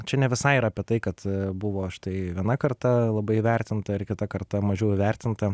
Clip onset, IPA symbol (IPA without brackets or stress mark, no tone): t͡ʃʲ